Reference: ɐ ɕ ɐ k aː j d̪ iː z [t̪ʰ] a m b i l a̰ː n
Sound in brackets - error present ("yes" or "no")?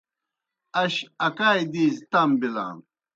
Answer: yes